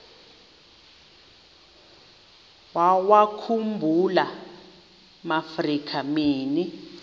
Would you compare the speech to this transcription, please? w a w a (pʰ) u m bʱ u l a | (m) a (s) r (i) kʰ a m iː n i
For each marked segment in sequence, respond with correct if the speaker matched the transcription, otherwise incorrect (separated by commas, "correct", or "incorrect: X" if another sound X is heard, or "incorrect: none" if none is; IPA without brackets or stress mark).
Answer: incorrect: kʰ, correct, incorrect: f, correct